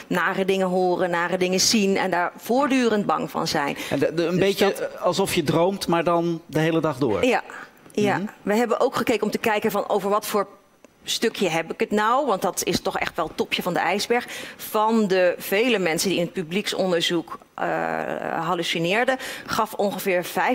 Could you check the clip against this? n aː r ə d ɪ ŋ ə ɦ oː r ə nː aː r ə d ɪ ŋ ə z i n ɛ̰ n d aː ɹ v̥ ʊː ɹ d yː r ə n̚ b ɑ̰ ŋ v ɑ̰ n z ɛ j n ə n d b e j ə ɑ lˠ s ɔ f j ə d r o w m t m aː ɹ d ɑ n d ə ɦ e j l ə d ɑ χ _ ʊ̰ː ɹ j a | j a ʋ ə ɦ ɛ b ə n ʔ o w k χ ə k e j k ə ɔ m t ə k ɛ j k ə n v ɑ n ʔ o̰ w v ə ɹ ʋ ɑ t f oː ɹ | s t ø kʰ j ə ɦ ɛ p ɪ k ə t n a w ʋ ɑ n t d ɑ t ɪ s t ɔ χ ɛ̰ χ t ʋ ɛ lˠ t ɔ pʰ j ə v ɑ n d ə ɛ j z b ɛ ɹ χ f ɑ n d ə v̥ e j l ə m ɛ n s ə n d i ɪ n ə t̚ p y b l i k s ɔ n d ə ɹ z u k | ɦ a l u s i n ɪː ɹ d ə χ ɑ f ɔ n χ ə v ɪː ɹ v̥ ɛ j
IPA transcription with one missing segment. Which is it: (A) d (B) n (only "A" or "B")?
A